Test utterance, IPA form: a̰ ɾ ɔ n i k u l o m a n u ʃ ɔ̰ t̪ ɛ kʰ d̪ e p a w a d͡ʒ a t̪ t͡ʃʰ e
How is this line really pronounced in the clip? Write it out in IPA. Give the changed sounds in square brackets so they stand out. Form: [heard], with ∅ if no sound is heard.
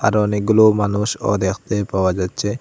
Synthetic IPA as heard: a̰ ɾ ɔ n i [ɡ] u l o m a n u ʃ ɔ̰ [d̪] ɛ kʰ [t̪] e p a w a d͡ʒ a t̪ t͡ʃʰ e